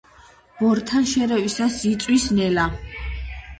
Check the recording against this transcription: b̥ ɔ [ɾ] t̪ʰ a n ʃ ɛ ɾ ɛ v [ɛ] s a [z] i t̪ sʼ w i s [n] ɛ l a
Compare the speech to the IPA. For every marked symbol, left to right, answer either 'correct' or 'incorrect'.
correct, incorrect, incorrect, correct

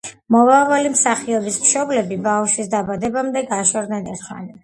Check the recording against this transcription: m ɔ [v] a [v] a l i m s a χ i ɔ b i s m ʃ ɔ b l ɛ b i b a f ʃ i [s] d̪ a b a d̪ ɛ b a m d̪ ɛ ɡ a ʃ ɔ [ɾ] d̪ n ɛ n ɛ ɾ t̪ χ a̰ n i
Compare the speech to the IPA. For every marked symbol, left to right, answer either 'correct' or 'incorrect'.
correct, correct, correct, correct

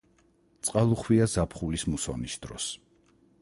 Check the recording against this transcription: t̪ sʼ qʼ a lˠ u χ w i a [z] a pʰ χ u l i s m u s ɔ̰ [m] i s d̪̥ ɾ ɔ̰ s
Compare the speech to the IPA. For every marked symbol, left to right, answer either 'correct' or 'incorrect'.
correct, incorrect

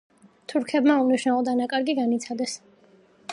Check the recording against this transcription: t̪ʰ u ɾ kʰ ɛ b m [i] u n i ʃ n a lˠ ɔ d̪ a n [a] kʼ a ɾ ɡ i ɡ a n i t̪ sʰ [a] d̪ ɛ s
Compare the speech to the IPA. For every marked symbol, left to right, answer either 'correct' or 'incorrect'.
incorrect, correct, correct

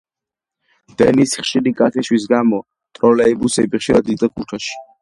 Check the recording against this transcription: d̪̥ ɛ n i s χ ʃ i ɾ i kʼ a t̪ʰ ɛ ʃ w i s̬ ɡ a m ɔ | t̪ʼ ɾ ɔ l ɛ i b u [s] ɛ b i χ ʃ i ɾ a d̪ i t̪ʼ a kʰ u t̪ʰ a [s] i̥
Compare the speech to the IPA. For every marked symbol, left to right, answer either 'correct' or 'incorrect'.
correct, incorrect

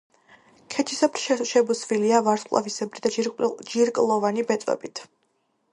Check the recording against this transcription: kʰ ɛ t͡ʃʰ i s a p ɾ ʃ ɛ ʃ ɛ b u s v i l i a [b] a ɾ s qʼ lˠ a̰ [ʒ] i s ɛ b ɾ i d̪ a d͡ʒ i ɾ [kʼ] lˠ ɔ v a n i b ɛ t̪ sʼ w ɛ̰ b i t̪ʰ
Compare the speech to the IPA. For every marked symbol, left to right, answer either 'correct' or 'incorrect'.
incorrect, incorrect, correct

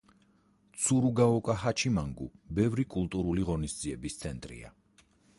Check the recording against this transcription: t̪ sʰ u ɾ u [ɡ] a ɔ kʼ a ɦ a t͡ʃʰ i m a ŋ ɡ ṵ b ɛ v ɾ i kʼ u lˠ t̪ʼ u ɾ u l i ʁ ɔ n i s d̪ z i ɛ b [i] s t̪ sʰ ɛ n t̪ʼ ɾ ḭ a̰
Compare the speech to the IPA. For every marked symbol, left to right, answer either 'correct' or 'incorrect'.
correct, correct

